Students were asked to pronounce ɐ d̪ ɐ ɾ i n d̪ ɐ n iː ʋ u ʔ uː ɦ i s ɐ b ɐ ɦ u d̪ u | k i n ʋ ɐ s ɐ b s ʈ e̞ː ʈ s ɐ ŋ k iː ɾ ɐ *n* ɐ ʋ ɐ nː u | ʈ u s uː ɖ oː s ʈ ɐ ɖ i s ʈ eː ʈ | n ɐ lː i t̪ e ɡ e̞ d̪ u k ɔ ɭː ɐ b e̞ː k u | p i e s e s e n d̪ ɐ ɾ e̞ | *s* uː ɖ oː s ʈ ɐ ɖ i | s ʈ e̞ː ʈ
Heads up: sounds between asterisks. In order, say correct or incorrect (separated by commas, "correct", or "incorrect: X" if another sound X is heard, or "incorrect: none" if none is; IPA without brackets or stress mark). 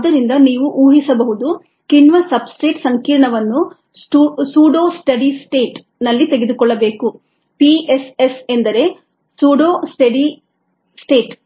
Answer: incorrect: ɳ, correct